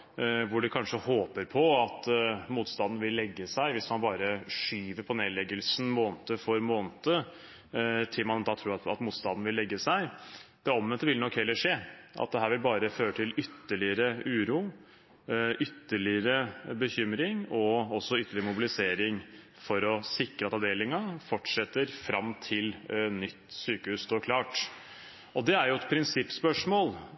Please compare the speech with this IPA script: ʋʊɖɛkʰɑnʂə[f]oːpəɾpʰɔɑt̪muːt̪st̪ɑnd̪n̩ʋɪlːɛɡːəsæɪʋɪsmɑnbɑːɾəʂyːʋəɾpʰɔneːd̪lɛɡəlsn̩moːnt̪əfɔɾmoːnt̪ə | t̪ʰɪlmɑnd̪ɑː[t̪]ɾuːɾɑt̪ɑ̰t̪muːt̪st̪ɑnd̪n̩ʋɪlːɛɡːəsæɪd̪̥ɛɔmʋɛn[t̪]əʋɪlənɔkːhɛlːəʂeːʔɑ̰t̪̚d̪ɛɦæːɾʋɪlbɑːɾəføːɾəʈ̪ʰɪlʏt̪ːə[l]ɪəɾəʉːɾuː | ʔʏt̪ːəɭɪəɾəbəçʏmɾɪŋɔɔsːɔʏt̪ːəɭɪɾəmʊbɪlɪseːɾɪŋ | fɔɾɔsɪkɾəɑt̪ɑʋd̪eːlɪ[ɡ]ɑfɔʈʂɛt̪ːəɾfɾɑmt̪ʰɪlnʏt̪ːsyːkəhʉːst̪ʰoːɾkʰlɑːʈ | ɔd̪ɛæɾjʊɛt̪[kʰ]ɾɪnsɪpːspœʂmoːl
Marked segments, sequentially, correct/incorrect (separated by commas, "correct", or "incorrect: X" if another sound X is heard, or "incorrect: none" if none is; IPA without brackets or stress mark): incorrect: h, incorrect: t̪ʰ, correct, incorrect: ɭ, incorrect: ŋ, incorrect: pʰ